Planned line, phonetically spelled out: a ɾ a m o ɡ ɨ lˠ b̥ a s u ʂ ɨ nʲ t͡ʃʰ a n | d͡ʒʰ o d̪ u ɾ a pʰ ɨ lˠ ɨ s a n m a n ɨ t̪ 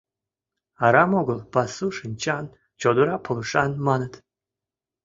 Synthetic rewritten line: a ɾ a m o ɡ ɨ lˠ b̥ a s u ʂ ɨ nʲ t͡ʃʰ a n | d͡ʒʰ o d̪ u ɾ a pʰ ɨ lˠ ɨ ʂ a n m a n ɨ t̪